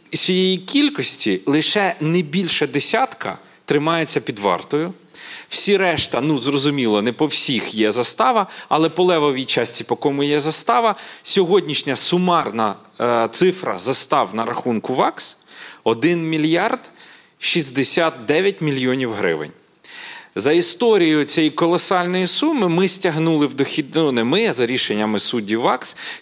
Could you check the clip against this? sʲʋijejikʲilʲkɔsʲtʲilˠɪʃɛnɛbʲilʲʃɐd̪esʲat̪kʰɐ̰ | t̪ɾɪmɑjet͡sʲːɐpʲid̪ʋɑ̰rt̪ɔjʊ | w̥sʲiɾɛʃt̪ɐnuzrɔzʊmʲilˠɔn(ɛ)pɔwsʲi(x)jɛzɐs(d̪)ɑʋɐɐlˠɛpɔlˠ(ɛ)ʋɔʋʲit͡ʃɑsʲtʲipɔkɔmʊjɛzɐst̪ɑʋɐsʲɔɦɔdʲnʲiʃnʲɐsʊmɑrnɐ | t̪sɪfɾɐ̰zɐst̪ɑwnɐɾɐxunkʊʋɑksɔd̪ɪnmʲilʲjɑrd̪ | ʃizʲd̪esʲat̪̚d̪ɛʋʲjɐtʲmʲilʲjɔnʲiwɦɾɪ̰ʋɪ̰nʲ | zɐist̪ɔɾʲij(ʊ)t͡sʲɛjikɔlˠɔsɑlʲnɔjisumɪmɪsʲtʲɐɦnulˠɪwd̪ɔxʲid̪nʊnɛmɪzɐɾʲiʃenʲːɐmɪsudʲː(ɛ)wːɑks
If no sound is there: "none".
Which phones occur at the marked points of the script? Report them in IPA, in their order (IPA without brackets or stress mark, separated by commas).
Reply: ɛ, x, t̪, ɛ, ʊ, i